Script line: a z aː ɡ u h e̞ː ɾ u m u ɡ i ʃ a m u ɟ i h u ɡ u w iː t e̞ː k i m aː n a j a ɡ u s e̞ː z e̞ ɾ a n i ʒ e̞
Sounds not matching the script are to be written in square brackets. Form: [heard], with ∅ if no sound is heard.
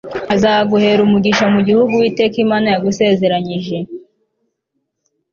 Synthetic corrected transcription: a z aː ɡ u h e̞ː ɾ u m u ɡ i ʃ a m u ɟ i h u ɡ u w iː t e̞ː k i m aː n a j a ɡ u s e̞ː z e̞ ɾ a [ɲ] i ʒ e̞